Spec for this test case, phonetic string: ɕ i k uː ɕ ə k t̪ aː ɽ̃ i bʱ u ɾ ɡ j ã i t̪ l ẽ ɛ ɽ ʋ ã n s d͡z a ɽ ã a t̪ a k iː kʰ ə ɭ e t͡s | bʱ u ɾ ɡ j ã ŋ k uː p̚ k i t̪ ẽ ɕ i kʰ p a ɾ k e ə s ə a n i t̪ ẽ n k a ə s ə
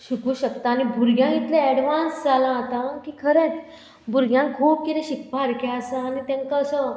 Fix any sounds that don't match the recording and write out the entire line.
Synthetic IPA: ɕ i k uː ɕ ə k t̪ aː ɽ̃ i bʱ u ɾ ɡ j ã i t̪ l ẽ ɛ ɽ ʋ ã n s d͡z a l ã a t̪ a k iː kʰ ə ɾ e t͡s | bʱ u ɾ ɡ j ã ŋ kʰ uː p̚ k i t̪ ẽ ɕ i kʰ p a ɾ k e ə s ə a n i t̪ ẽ ŋ k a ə s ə

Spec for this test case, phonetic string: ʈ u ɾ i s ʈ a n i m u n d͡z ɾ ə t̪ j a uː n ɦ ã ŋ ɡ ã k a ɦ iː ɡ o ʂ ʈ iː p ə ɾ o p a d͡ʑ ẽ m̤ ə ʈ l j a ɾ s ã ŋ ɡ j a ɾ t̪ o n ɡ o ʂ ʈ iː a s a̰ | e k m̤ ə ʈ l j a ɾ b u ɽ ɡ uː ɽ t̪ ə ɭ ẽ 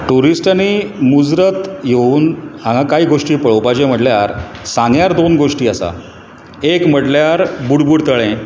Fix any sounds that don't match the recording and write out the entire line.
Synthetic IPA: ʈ u ɾ i s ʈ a n i m u d͡z ɾ ə t̪ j e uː n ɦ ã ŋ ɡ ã k a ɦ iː ɡ o ʂ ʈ iː p ə ɭ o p a d͡ʑ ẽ m̤ ə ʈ l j a ɾ s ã ŋ ɡ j a ɾ d̪ o n ɡ o ʂ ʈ iː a s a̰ | e k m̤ ə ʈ l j a ɾ b u ɽ b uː ɽ t̪ ə ɭ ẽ

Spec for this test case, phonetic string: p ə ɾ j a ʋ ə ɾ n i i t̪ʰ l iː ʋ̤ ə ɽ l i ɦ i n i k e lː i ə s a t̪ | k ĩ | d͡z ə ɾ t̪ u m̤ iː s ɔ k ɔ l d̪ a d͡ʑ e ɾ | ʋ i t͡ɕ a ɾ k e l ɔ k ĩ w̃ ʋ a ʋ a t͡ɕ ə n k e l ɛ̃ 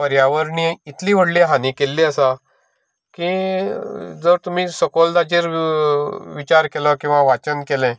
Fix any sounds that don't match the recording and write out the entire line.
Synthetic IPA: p ə ɾ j a ʋ ə ɾ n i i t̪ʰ l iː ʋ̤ ə ɽ l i ɦ a n i k e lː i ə s a | k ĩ | d͡z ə ɾ t̪ u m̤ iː s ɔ k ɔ l d̪ a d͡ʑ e ɾ | ʋ i t͡ɕ a ɾ k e l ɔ k ĩ w̃ ʋ a ʋ a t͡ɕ ə n k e l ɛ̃

